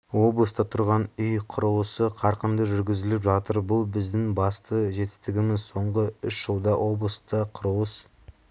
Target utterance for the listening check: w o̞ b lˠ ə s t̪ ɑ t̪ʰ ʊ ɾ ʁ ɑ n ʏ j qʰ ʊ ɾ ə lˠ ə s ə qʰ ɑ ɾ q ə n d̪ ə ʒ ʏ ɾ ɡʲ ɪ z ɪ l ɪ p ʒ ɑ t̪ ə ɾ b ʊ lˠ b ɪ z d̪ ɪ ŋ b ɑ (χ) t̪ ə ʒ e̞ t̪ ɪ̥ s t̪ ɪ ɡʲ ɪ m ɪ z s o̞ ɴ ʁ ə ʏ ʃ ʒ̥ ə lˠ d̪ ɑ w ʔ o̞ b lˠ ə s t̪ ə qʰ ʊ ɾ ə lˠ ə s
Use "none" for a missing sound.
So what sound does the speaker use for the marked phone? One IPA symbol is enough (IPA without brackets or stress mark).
s